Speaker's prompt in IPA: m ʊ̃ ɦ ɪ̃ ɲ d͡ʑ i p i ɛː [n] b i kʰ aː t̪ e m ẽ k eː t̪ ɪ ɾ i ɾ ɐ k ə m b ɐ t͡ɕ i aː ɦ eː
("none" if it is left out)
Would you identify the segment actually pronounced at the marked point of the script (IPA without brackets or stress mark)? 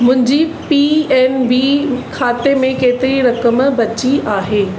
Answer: n